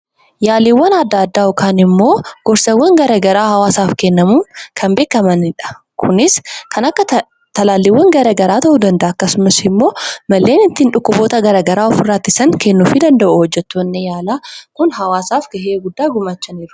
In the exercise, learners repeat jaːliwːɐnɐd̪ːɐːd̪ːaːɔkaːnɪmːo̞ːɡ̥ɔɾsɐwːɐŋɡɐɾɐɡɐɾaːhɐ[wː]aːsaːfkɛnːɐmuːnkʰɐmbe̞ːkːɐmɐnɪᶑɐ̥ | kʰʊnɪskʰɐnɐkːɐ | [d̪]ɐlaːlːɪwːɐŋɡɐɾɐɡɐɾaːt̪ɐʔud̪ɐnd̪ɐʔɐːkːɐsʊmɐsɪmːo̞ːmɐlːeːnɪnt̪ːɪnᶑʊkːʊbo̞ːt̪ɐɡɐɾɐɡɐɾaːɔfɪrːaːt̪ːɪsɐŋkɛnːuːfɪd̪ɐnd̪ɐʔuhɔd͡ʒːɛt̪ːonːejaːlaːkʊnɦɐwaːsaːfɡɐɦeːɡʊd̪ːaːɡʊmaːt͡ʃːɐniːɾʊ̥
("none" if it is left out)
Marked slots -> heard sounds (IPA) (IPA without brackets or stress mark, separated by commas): w, t̪